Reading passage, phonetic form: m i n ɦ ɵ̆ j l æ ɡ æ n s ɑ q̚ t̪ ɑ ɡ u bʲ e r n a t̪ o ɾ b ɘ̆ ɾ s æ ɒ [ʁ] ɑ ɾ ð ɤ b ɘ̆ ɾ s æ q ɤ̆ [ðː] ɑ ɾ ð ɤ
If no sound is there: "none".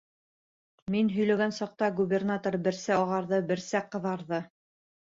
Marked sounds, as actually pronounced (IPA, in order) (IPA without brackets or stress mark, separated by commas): ʁ, ð